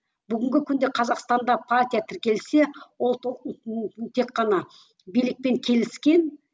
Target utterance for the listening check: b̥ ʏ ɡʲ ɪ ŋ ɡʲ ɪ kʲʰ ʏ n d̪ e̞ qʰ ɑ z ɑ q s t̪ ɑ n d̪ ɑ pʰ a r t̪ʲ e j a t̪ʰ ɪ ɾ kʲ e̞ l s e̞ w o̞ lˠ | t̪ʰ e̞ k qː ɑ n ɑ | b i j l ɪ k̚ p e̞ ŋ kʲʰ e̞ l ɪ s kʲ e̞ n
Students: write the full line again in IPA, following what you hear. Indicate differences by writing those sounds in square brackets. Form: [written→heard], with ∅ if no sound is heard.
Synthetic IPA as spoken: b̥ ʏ ɡʲ ɪ ŋ ɡʲ ɪ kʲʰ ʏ n d̪ e̞ qʰ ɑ z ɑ q s t̪ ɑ n d̪ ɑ pʰ a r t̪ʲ [e→i] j a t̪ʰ ɪ ɾ kʲ e̞ l s e̞ w o̞ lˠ | t̪ʰ e̞ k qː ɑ n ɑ | b i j l ɪ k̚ p e̞ ŋ kʲʰ e̞ l ɪ s kʲ e̞ n